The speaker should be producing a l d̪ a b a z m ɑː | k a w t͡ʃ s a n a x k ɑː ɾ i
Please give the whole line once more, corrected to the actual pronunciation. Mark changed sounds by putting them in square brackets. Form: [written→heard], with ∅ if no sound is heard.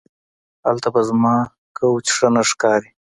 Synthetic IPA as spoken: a l [d̪→t̪] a b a z m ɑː | k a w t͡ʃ [s→ʂ] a n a [x→ʂ] k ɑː ɾ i